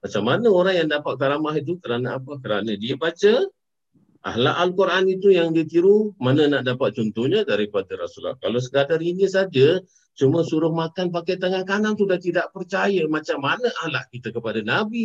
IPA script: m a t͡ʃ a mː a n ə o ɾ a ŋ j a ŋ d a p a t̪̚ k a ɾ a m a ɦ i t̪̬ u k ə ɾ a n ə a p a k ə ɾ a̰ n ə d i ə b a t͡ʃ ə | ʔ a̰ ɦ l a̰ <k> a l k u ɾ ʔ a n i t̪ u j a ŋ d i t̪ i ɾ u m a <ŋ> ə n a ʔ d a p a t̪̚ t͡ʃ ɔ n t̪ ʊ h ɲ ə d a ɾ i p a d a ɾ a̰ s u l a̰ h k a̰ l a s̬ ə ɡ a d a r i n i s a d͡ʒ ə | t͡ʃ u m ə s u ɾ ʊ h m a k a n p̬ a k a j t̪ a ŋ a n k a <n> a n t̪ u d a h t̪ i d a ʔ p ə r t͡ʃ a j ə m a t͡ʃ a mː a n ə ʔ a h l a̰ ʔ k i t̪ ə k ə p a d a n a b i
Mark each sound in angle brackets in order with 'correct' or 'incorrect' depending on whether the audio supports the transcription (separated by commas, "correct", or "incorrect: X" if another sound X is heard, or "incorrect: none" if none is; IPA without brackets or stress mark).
incorrect: ʔ, incorrect: n, correct